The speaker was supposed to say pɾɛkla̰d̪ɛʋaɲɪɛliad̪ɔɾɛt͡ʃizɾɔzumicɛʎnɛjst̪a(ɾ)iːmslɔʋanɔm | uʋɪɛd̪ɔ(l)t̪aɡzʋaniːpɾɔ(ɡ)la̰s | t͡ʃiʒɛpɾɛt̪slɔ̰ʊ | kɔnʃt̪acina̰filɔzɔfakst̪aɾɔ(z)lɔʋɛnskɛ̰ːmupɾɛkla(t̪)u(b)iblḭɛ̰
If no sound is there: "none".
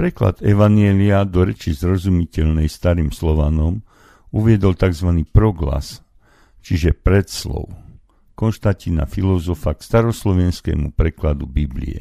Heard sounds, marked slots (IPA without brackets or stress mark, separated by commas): ɾ, l, ɡ, s, d̪, b